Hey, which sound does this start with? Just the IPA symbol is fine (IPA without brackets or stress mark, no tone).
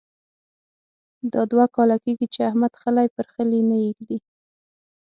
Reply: d̪